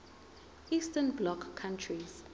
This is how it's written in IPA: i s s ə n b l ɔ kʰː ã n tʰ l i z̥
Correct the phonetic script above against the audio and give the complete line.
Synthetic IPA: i s t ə n b l ɔ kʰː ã n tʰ ɹ i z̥